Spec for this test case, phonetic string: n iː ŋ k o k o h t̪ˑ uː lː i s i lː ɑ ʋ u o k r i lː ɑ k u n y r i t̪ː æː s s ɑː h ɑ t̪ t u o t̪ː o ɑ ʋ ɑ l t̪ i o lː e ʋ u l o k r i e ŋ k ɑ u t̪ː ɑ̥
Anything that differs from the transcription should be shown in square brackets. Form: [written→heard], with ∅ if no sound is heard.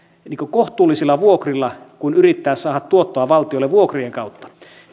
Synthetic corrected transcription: n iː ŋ k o k o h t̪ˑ uː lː i s i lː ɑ ʋ u o k r i lː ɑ k u n y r i t̪ː æː s s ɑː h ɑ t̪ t u o t̪ː o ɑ ʋ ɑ l t̪ i o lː e ʋ u [l→∅] o k r i e ŋ k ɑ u t̪ː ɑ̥